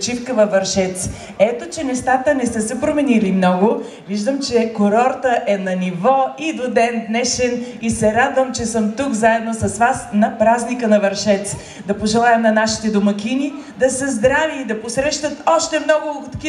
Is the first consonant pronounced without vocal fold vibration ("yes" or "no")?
yes